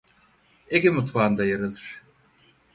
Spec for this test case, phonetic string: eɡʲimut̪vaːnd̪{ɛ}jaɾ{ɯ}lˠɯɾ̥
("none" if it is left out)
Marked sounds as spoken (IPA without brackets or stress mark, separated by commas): a, ɯ